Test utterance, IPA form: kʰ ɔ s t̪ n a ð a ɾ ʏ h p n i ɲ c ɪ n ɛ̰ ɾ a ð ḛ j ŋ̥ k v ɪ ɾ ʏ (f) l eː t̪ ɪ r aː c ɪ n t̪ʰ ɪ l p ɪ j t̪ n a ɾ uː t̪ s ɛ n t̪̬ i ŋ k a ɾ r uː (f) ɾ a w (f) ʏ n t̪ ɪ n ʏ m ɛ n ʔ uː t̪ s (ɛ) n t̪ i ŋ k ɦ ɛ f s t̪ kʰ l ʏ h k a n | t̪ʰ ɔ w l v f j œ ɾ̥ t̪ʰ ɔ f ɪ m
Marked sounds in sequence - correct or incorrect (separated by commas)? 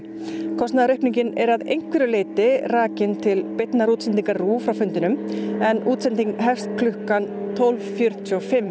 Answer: incorrect, correct, correct, correct